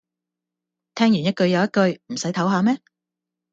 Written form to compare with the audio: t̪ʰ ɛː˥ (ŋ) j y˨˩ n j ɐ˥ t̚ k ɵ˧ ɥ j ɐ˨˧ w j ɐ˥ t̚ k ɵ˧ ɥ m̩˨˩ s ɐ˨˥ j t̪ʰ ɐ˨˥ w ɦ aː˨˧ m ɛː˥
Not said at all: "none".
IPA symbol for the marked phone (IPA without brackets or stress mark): ŋ